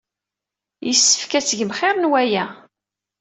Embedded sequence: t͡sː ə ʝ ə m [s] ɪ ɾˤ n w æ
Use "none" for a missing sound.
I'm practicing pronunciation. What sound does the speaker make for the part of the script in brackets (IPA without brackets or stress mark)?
χ